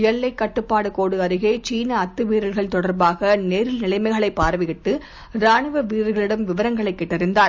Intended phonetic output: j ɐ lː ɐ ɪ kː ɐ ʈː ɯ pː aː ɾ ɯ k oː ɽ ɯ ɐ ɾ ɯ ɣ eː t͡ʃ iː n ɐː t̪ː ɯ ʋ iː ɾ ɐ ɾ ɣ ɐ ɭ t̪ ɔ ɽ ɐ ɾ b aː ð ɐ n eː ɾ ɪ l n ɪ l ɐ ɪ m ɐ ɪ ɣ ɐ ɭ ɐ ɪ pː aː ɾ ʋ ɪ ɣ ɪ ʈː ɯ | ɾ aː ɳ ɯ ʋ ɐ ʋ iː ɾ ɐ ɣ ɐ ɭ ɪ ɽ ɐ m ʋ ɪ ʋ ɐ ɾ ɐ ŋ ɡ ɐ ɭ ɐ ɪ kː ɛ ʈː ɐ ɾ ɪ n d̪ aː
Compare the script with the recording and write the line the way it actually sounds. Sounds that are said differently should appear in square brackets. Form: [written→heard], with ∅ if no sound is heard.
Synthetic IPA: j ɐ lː ɐ ɪ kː ɐ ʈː ɯ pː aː [ɾ→ɽ] ɯ k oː ɽ ɯ ɐ ɾ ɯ ɣ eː t͡ʃ iː n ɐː t̪ː ɯ ʋ iː ɾ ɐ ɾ ɣ ɐ ɭ t̪ ɔ ɽ ɐ ɾ b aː [ð→ɣ] ɐ n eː ɾ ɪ l n ɪ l ɐ ɪ m ɐ ɪ ɣ ɐ ɭ ɐ ɪ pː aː ɾ ʋ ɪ ɣ ɪ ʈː ɯ | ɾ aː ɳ ɯ ʋ ɐ ʋ iː ɾ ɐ ɣ ɐ ɭ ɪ ɽ ɐ m ʋ ɪ ʋ ɐ ɾ ɐ ŋ ɡ ɐ ɭ ɐ ɪ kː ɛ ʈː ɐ ɾ ɪ n d̪ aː